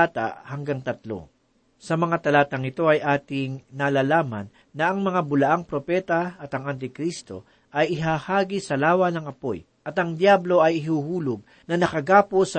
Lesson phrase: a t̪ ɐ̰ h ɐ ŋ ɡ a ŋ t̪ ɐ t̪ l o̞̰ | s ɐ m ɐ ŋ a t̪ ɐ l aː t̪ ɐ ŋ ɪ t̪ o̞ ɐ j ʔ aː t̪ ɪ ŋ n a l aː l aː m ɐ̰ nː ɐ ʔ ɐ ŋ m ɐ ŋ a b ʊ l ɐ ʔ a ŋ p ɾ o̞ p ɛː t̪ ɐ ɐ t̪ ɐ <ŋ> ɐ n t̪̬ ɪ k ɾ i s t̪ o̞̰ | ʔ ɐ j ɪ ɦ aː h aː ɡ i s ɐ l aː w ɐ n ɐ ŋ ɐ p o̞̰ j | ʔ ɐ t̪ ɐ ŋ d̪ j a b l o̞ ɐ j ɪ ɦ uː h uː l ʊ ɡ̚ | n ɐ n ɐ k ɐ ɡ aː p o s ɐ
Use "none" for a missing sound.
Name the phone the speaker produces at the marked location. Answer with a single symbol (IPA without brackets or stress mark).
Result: ŋ